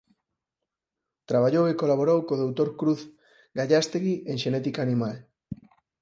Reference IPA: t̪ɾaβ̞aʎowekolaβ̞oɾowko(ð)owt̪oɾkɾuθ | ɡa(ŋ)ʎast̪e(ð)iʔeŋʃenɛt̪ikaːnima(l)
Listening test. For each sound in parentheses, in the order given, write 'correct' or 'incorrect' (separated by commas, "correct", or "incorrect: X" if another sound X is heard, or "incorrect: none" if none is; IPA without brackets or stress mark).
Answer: correct, incorrect: none, incorrect: ɣ, correct